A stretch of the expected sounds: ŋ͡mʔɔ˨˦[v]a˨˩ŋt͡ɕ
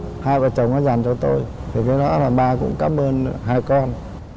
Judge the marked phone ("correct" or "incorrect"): incorrect